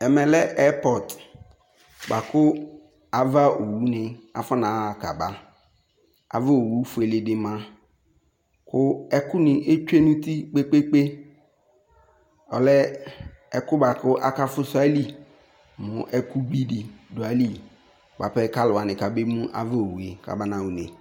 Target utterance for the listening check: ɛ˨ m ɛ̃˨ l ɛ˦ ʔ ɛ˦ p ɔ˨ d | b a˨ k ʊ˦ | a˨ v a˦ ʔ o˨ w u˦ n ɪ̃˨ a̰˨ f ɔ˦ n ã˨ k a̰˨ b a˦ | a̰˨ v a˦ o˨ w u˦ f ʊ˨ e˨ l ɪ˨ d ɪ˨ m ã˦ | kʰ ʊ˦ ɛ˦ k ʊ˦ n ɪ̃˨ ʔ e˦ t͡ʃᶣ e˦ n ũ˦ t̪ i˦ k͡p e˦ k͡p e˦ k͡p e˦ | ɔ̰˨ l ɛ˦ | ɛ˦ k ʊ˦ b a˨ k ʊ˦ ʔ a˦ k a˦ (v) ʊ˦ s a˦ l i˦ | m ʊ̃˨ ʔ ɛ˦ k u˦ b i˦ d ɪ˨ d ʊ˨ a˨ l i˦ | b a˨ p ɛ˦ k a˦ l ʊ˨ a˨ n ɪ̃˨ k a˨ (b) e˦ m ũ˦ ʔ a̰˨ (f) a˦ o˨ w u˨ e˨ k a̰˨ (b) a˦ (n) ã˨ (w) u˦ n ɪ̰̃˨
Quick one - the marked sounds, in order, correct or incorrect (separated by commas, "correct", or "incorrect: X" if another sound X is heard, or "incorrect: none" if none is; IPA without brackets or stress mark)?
incorrect: f, correct, incorrect: v, correct, correct, correct